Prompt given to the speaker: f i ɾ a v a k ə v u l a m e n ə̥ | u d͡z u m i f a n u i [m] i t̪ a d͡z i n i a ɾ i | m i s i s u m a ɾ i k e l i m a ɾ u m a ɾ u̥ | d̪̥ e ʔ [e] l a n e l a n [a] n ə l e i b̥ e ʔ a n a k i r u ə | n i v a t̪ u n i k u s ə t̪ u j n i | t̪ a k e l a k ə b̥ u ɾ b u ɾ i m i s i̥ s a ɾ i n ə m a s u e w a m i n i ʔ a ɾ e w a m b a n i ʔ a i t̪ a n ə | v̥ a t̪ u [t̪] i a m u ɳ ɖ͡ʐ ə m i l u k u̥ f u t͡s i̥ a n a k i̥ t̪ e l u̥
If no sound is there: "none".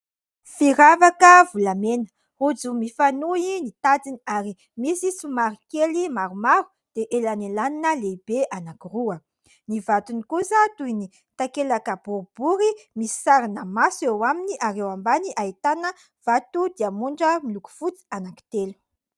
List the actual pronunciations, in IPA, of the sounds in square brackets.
n, e, i, d̪

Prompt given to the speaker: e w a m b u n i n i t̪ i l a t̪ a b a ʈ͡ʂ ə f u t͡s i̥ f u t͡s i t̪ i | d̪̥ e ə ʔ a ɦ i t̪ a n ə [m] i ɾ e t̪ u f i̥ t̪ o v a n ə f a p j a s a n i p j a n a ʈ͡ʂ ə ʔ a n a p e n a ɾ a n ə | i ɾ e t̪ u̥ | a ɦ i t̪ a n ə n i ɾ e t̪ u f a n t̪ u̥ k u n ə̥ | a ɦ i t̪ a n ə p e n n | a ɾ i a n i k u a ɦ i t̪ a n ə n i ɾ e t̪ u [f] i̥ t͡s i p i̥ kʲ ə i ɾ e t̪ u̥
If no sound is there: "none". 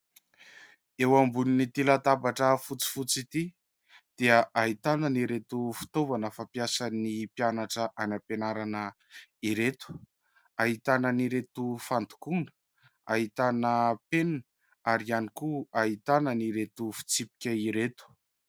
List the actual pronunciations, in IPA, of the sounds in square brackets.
n, f

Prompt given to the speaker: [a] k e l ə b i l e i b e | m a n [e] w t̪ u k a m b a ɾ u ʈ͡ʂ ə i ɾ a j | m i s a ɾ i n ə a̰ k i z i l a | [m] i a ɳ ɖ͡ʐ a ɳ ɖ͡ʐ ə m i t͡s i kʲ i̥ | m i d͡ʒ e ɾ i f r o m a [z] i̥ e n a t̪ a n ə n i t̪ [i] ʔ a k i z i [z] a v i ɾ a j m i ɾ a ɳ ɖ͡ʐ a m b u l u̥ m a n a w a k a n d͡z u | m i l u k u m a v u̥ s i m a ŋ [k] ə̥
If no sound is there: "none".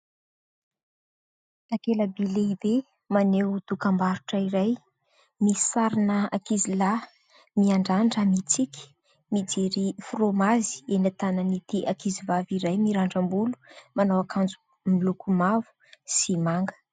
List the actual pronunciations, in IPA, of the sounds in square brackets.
a, e, m, z, i, v, ɡ

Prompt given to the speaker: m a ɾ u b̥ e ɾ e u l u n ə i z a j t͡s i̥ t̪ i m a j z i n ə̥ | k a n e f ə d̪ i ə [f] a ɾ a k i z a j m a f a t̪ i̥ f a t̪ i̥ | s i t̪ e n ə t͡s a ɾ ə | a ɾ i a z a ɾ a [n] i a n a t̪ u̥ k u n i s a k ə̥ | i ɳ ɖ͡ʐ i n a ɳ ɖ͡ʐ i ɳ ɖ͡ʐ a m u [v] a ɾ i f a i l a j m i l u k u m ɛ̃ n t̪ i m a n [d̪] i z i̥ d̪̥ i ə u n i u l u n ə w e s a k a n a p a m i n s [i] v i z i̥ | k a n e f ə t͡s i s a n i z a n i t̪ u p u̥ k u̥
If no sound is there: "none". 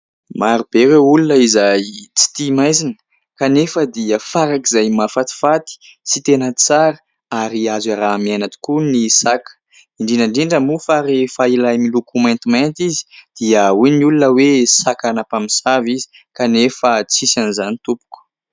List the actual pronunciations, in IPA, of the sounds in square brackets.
f, m, f, t̪, a

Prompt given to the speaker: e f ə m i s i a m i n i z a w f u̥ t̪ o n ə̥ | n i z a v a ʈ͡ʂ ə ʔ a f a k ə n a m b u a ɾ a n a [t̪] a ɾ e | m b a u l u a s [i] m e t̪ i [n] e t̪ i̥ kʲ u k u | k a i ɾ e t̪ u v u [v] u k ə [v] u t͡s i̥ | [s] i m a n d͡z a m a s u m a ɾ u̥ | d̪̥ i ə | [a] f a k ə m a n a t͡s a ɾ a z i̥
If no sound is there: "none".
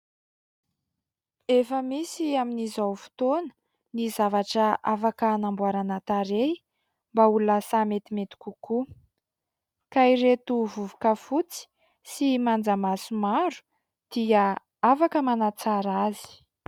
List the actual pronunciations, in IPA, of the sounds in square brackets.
t̪, a, m, v, f, s, a

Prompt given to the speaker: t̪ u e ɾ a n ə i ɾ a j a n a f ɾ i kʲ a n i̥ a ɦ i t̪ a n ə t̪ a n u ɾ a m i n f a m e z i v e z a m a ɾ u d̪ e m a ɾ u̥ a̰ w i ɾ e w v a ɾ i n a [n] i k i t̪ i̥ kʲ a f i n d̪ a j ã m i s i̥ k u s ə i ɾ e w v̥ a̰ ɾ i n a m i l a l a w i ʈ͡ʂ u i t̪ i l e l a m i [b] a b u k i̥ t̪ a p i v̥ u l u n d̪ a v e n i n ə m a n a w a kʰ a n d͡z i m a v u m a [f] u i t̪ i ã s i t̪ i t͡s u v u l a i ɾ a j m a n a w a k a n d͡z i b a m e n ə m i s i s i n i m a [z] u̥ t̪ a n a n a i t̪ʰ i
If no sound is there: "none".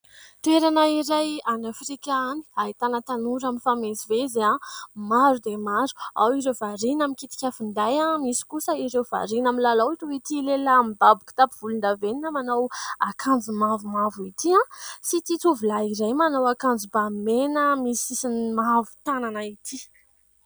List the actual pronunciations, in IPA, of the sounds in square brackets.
m, b, v, v

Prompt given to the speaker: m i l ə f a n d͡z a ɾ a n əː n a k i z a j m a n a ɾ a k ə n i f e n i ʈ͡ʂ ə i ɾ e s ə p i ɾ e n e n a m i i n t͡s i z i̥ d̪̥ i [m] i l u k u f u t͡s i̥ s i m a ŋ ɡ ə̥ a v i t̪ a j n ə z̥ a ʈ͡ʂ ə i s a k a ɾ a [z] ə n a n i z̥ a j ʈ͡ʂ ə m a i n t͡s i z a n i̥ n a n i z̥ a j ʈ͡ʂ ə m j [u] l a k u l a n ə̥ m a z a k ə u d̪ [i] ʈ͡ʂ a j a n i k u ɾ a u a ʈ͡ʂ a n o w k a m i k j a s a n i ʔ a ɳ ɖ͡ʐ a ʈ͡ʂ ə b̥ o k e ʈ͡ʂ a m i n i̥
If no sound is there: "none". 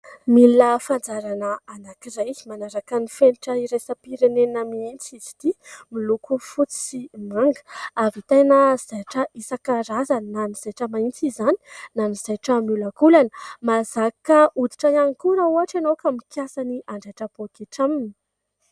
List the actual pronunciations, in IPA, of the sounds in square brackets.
m, z, u, i

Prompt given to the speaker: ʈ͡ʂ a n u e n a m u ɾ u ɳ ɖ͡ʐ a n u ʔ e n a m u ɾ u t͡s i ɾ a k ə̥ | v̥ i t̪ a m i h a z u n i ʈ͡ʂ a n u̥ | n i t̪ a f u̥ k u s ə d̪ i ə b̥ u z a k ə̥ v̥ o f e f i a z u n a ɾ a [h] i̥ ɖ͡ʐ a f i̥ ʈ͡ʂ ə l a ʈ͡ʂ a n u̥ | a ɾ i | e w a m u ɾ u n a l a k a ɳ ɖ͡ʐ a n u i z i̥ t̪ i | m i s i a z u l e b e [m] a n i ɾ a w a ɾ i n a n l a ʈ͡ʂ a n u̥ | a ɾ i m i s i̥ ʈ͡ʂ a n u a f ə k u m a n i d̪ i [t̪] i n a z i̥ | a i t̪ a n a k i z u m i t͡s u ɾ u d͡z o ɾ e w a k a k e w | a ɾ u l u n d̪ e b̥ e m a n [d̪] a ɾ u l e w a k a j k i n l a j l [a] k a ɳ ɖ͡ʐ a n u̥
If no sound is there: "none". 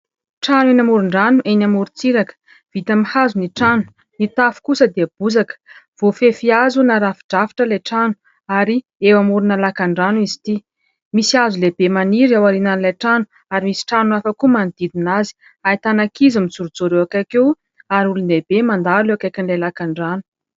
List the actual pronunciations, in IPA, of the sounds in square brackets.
f, m, d̪, d̪, a

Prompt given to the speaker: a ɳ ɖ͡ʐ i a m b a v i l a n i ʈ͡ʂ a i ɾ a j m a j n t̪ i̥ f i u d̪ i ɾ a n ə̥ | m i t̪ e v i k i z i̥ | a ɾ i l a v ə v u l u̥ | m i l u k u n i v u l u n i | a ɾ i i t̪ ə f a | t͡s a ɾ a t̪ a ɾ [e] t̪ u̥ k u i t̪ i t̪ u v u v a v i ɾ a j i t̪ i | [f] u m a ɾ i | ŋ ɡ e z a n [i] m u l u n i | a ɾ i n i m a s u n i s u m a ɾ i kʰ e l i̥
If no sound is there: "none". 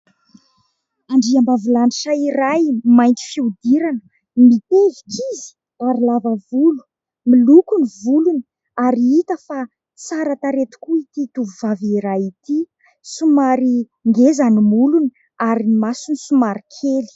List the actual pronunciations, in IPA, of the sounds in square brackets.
e, s, i

